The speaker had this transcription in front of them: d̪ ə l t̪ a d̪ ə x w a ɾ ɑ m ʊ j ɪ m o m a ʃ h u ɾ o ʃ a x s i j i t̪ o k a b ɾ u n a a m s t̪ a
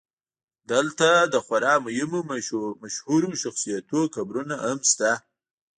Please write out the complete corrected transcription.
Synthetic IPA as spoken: d̪ ə l t̪ a d̪ ə x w a ɾ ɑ m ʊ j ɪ m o m a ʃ h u ɾ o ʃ a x s i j a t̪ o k a b ɾ u n a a m s t̪ a